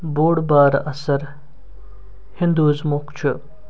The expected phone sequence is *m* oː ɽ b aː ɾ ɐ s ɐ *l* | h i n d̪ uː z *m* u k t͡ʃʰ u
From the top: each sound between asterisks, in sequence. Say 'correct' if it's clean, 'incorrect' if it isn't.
incorrect, incorrect, correct

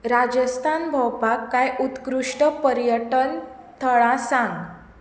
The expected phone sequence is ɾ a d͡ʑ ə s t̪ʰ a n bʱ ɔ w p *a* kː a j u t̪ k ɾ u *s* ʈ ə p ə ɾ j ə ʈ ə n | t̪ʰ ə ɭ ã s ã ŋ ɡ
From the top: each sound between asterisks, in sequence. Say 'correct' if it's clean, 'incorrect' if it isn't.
correct, incorrect

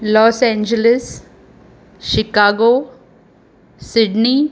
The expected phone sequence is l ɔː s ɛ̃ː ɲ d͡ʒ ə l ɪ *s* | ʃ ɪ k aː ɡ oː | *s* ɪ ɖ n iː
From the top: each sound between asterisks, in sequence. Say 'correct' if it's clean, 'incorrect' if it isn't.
correct, correct

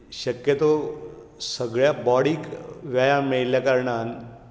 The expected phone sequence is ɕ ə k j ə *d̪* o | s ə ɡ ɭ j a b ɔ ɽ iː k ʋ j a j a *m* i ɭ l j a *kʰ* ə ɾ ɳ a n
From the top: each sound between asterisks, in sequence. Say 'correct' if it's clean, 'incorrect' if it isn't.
incorrect, correct, incorrect

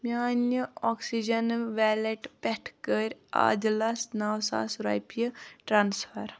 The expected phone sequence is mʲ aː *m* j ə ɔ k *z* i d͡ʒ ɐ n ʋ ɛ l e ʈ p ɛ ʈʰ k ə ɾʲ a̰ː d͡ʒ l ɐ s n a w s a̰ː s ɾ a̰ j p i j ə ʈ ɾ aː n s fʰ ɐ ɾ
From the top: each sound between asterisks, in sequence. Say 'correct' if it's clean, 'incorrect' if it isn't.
incorrect, incorrect

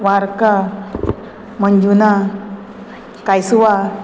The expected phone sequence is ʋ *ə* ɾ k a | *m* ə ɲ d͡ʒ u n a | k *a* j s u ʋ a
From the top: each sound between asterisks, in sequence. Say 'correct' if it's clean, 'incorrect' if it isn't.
incorrect, correct, correct

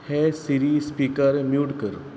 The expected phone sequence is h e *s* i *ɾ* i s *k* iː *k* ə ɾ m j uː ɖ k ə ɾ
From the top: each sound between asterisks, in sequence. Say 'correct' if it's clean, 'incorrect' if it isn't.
correct, correct, incorrect, correct

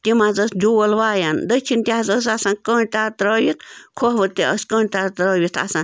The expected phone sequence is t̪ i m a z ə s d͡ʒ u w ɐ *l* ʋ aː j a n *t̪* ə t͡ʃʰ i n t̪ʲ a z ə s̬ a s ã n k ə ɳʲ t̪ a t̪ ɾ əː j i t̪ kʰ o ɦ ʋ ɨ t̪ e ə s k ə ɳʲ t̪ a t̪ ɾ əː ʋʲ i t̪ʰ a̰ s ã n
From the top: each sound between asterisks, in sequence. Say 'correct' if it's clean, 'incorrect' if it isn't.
correct, incorrect

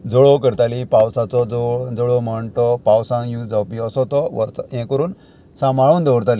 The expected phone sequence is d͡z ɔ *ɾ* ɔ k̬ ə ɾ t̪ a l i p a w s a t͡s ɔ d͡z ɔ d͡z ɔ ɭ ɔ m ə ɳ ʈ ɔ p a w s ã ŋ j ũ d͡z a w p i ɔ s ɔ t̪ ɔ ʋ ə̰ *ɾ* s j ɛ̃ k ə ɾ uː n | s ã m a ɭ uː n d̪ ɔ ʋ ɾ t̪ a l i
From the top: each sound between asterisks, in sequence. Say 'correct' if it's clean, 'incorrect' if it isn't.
incorrect, correct

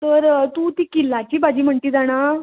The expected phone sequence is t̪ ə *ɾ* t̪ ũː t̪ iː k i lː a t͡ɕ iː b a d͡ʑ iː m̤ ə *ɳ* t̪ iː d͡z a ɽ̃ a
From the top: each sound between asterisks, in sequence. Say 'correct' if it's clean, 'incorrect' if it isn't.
correct, correct

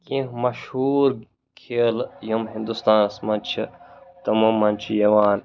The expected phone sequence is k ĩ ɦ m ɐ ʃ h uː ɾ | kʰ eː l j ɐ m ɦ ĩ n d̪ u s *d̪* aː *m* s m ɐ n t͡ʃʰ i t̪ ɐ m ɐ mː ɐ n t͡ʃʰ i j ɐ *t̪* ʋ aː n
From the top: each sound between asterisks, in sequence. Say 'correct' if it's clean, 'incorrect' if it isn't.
incorrect, incorrect, incorrect

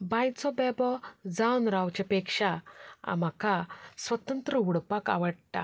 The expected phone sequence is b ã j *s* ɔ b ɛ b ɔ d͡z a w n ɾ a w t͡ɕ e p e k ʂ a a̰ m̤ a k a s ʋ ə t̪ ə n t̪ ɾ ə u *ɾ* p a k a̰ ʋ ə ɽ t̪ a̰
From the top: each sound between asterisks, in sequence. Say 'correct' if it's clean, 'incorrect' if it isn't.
incorrect, incorrect

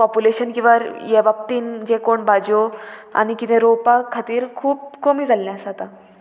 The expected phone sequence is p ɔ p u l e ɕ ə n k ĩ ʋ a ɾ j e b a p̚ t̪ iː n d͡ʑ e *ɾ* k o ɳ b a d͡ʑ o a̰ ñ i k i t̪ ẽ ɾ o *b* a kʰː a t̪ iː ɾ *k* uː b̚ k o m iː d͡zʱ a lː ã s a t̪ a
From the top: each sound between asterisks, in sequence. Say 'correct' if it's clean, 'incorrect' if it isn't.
incorrect, incorrect, incorrect

